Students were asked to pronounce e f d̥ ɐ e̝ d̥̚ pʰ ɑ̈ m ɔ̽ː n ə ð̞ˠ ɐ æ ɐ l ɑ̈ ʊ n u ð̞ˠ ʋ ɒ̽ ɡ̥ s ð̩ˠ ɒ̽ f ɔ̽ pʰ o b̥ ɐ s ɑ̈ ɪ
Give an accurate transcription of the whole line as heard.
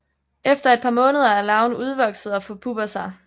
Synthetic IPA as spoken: e f d̥ ɐ e̝ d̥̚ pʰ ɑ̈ m ɔ̽ː n ə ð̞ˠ ɐ æ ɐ l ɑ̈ ʊ n u ð̞ˠ ʋ ɒ̽ ɡ̥ s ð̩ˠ ɒ̽ f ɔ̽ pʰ u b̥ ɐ s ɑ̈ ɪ